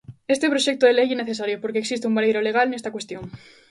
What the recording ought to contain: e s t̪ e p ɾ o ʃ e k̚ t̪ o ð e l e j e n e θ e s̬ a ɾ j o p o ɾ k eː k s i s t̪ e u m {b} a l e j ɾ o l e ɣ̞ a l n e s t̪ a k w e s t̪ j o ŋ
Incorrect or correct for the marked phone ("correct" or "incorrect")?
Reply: correct